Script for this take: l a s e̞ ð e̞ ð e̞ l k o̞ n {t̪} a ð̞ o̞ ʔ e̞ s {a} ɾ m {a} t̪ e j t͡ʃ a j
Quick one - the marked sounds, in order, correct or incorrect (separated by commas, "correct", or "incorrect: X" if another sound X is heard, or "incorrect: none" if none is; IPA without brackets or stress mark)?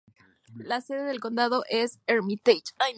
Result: incorrect: d̪, incorrect: e, incorrect: i